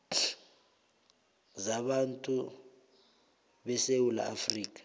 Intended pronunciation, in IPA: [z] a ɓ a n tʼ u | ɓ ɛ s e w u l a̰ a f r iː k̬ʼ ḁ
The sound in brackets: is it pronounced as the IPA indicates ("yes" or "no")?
yes